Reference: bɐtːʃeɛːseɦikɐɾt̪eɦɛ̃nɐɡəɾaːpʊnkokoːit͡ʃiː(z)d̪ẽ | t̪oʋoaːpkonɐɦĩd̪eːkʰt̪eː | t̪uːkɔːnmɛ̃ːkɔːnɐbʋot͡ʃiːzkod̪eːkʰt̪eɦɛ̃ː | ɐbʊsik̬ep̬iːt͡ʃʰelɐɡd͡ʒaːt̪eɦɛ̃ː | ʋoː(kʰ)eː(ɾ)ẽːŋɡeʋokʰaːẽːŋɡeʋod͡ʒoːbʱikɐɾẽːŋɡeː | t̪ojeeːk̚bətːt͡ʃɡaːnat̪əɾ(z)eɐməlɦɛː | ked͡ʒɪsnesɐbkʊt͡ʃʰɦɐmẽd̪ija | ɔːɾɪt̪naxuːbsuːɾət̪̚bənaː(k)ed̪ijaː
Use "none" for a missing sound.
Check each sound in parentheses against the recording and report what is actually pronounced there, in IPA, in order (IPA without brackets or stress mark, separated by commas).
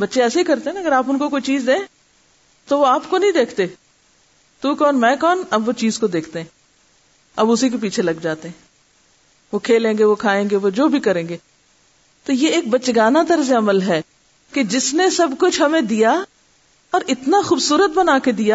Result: z, kʰ, l, z, k